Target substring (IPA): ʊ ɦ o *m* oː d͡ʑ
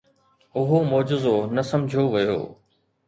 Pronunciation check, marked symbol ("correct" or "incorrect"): correct